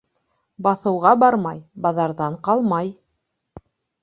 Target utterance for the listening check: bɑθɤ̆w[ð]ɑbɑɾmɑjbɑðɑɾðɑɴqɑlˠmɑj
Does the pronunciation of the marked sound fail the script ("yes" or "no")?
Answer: yes